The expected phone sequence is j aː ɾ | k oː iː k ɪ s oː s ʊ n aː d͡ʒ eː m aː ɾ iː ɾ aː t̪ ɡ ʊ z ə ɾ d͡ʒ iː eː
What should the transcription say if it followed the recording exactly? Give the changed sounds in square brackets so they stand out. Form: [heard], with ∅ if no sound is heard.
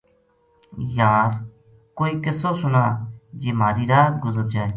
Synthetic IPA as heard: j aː ɾ | k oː iː k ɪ s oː s ʊ n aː d͡ʒ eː m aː ɾ iː ɾ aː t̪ ɡ ʊ z ə ɾ d͡ʒ [aː] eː